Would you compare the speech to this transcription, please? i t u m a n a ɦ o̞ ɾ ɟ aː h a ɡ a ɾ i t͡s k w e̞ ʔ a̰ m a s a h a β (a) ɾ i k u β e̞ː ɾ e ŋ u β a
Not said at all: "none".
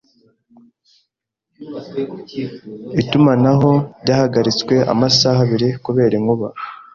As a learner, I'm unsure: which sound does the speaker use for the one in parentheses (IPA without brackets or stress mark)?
i